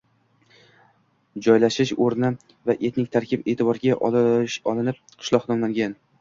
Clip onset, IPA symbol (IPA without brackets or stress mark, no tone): d͡ʒ